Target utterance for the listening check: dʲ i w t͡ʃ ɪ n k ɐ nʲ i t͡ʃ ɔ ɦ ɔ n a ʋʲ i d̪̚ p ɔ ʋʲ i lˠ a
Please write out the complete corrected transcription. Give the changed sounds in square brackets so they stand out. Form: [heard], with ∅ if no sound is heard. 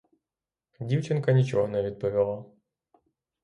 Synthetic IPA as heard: dʲ i w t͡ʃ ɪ n k ɐ nʲ i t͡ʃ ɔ ɦ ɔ n [ɛ] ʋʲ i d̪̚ p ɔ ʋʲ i lˠ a